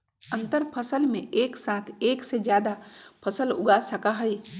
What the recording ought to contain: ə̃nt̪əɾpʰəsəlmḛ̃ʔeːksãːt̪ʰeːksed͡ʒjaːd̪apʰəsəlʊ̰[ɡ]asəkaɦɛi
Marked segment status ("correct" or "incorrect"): correct